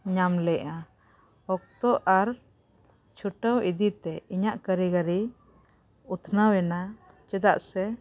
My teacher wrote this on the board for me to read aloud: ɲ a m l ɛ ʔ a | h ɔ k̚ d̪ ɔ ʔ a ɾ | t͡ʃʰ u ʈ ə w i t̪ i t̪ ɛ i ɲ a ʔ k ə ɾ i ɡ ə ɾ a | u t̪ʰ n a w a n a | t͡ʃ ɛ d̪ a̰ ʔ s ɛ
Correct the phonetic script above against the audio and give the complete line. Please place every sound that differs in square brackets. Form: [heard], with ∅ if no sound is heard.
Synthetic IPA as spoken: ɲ a m l ɛ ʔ a | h ɔ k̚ [t̪] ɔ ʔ a ɾ | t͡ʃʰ u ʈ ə w i [d̪] i t̪ ɛ i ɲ a ʔ k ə ɾ i ɡ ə ɾ [i] | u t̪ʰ n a w [ɛ] n a | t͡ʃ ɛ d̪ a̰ ʔ s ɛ